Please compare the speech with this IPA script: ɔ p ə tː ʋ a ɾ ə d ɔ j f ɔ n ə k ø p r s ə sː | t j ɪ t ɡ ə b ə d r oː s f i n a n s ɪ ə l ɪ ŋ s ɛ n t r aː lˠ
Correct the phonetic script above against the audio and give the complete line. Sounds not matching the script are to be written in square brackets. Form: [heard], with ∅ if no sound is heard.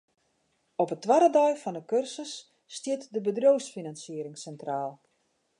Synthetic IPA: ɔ p ə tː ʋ a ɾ ə d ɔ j f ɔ n ə k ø [∅] r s ə sː | t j ɪ t [d] ə b ə d r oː s f i n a n s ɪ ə [ɾ] ɪ ŋ s ɛ n t r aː lˠ